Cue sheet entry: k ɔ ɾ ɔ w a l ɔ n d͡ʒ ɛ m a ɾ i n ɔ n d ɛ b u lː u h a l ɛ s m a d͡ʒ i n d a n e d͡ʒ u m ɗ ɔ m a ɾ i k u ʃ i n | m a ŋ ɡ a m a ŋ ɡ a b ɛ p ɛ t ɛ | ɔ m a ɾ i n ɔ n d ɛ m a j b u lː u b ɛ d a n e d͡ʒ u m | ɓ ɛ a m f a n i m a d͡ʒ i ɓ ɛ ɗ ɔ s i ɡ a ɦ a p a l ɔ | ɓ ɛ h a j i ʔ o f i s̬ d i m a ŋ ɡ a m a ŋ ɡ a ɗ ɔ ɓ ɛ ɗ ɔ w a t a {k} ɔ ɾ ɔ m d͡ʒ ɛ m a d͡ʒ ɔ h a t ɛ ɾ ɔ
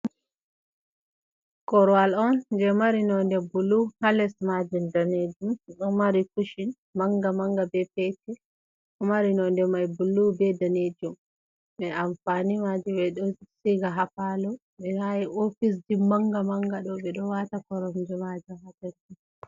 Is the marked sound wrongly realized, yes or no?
no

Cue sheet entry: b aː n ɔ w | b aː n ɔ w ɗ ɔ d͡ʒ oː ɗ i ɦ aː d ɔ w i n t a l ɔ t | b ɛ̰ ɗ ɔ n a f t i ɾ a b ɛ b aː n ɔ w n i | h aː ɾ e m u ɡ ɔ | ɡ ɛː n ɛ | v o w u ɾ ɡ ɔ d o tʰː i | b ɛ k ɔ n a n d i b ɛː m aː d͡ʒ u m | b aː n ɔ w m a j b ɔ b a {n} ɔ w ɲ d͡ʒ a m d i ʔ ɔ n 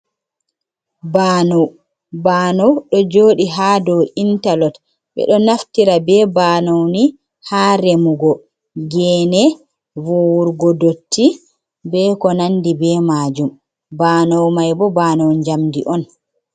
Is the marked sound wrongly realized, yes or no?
no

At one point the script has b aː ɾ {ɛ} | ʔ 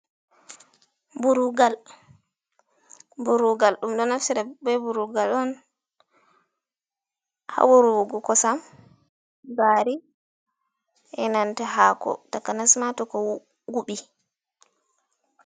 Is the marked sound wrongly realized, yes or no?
yes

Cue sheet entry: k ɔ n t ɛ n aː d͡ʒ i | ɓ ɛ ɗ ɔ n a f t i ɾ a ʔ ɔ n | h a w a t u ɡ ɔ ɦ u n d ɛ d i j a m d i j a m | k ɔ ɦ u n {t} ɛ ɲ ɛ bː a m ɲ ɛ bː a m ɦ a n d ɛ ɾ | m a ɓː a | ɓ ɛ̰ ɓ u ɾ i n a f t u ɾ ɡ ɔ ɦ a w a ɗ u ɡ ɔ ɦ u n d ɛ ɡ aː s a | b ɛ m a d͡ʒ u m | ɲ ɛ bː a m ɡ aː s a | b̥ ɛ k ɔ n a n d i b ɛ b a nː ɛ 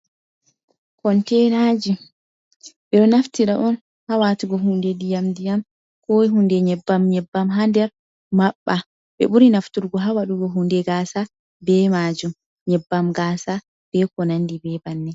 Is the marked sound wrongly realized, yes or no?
yes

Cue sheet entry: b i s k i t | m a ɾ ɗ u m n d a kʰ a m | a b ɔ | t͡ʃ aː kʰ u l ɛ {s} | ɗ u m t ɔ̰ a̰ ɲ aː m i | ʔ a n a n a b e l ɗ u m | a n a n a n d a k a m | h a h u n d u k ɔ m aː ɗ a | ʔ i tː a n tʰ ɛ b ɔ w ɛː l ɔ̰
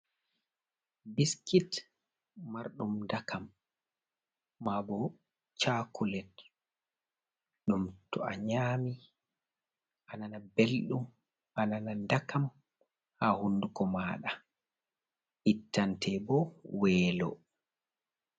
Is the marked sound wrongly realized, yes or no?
yes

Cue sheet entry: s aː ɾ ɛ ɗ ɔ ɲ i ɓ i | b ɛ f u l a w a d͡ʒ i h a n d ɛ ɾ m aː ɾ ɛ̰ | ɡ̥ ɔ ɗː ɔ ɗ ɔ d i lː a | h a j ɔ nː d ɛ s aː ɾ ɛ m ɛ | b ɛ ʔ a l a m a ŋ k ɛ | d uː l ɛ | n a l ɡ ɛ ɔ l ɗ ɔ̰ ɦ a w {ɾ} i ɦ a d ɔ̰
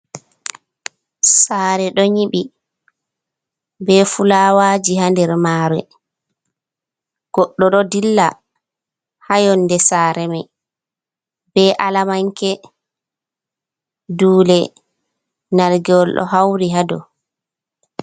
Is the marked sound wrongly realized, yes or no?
no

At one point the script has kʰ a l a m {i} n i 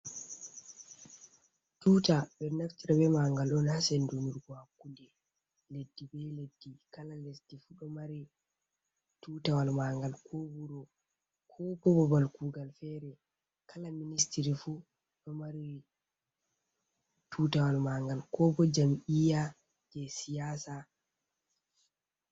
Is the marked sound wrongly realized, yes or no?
no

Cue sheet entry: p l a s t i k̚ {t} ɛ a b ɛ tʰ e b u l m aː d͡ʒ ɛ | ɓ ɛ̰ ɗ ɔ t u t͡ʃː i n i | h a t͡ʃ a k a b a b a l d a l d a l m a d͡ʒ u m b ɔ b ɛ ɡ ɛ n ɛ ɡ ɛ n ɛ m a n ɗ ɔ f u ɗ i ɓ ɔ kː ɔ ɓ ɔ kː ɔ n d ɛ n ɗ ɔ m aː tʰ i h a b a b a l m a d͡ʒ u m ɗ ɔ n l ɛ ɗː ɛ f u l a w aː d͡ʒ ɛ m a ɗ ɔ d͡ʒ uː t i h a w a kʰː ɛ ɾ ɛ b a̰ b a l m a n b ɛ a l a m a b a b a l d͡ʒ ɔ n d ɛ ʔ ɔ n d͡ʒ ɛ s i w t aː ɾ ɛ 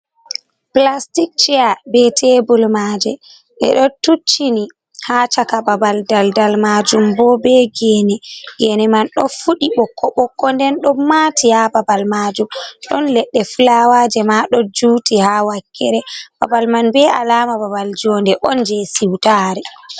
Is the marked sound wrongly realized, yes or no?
yes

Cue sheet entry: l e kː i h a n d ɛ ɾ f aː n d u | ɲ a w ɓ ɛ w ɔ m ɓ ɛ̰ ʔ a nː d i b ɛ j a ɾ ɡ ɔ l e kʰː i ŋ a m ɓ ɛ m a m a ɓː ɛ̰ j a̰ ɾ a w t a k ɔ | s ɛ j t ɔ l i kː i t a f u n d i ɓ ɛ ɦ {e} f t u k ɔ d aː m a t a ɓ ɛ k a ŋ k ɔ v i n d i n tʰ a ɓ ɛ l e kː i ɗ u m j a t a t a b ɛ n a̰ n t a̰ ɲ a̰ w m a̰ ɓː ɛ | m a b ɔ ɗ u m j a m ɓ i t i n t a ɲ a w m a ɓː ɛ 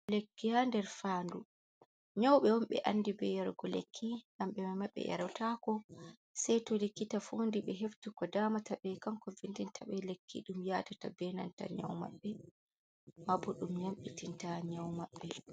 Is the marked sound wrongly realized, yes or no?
no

